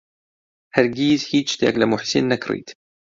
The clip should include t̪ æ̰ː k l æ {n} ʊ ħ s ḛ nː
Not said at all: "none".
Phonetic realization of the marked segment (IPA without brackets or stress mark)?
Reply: m